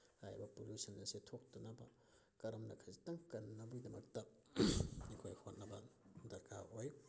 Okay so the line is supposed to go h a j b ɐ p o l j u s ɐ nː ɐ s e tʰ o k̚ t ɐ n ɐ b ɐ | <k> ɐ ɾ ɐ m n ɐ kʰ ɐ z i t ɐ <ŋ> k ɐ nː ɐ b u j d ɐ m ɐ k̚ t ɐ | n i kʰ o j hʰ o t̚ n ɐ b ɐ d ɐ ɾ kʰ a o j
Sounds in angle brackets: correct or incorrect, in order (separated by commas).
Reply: correct, correct